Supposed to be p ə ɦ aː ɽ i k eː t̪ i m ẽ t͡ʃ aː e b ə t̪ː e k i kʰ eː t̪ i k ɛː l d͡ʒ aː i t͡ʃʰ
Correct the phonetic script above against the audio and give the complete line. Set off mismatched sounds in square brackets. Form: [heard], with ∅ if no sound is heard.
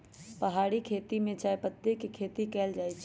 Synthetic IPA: p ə ɦ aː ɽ i [kʰ] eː t̪ i m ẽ t͡ʃ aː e [p] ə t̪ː e k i kʰ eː t̪ i k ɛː l d͡ʒ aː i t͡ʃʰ